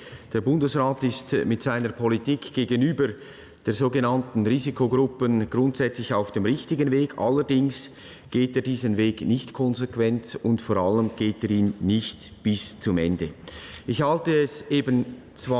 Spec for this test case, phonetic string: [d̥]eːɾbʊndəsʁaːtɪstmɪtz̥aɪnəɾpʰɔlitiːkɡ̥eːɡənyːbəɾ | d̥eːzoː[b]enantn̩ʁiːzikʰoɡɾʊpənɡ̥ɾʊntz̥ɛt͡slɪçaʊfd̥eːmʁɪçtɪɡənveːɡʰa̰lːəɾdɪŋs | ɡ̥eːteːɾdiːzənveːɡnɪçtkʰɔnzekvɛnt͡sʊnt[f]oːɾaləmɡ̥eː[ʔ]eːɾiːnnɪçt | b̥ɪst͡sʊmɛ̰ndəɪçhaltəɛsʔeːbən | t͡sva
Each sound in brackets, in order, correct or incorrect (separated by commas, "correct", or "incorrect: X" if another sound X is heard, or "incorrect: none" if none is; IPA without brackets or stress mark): correct, incorrect: ɡ, correct, incorrect: t